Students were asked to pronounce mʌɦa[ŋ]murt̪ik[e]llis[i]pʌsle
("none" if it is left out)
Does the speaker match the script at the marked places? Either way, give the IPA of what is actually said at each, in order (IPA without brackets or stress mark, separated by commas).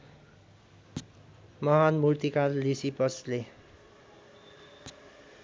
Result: n, a, i